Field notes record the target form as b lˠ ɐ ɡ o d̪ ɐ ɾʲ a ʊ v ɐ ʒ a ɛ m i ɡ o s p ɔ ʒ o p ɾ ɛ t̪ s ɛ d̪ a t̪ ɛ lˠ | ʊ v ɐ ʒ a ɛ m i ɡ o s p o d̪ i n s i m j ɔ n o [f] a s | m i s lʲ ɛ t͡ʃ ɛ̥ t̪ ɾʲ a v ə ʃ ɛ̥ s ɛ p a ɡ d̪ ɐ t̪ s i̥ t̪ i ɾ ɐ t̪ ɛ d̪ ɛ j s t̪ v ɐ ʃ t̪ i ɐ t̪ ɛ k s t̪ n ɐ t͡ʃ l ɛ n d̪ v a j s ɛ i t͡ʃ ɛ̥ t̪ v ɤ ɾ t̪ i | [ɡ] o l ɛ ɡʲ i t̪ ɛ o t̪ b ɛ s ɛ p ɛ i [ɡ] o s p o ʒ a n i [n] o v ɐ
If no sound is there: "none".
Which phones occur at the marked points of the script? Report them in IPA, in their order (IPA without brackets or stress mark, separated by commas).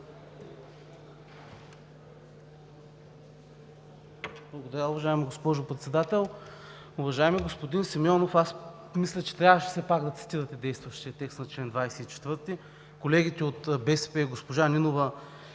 f, k, ɡ, n